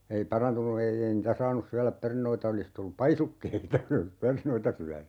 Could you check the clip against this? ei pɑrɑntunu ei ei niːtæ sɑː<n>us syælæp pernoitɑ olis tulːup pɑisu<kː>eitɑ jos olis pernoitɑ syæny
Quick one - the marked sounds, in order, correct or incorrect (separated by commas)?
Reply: correct, correct